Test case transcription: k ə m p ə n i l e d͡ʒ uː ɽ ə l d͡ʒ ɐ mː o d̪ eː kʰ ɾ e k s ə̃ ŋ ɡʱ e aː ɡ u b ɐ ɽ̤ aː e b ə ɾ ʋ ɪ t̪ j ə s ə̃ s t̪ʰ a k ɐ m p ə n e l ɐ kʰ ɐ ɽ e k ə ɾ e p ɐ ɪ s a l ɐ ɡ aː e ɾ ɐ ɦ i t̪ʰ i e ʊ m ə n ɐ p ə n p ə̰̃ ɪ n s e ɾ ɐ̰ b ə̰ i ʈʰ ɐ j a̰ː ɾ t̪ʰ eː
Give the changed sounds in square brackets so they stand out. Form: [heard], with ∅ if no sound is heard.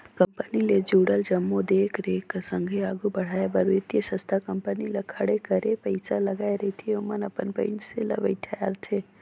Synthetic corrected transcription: k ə m p ə n i l e d͡ʒ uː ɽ ə l d͡ʒ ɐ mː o d̪ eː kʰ ɾ e k s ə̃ ŋ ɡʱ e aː ɡ u b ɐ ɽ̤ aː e b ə ɾ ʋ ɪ t̪ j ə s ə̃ s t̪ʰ a k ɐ m p ə n [i] l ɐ kʰ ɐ ɽ e k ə ɾ e p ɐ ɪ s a l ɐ ɡ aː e ɾ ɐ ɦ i t̪ʰ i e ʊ m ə n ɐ p ə n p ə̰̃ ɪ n s e [l] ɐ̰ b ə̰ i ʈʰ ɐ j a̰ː ɾ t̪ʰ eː